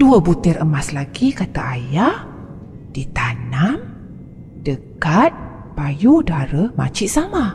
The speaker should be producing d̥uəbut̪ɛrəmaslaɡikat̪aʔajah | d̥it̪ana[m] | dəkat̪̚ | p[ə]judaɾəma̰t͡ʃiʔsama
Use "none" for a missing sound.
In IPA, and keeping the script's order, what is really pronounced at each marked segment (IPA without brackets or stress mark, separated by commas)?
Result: m, a